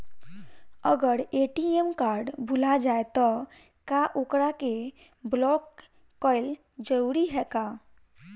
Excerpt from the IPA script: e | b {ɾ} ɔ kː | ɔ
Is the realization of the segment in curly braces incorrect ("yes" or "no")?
yes